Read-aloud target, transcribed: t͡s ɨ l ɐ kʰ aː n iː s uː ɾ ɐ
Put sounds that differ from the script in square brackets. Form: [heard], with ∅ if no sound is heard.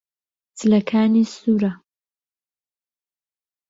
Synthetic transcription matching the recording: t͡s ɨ l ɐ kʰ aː n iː s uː ɾ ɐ